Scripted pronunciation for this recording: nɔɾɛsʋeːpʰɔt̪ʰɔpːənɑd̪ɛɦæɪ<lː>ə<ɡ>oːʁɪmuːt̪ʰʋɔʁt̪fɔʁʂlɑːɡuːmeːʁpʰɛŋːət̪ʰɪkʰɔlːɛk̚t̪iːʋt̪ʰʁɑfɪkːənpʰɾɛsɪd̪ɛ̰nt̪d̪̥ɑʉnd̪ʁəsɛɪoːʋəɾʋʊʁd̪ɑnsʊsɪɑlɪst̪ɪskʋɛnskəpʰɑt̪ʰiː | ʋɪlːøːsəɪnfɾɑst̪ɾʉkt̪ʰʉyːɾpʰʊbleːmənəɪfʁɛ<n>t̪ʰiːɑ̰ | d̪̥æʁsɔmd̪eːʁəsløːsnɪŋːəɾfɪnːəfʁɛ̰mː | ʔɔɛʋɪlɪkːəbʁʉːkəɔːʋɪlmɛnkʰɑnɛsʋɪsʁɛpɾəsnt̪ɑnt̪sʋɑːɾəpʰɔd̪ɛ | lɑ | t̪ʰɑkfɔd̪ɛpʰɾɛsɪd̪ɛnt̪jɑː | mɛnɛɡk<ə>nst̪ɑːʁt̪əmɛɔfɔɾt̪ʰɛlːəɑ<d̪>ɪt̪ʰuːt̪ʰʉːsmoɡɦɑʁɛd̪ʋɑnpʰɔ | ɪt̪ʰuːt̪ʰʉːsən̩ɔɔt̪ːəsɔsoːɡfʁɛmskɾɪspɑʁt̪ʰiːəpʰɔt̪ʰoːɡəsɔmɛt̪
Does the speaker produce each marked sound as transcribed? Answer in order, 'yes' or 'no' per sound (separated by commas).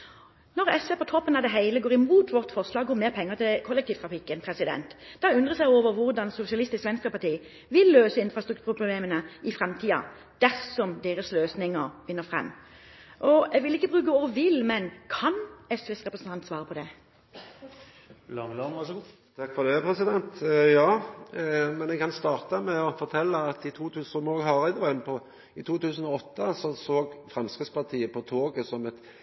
no, yes, no, no, no